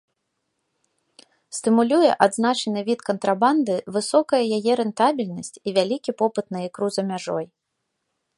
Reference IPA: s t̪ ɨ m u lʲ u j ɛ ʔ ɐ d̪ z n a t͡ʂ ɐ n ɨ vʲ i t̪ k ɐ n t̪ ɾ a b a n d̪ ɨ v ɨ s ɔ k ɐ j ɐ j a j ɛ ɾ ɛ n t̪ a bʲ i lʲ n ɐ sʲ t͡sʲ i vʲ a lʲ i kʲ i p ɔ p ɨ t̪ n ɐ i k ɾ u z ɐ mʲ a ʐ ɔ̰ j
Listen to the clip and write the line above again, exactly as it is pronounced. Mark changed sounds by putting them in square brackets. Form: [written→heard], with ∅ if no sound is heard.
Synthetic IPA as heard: s t̪ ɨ m u lʲ u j ɛ ʔ [ɐ→a] d̪ z n a t͡ʂ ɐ n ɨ vʲ i t̪ k ɐ n t̪ ɾ a b a n d̪ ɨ v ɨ s ɔ k ɐ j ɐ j a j ɛ ɾ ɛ n t̪ a bʲ i lʲ n ɐ sʲ t͡sʲ i vʲ a lʲ i kʲ i p ɔ p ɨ t̪ n ɐ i k ɾ u z ɐ mʲ a ʐ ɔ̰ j